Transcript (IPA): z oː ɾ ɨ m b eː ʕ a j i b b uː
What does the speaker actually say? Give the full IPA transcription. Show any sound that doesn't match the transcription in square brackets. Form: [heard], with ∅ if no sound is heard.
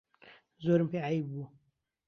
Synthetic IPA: z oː ɾ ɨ m [p] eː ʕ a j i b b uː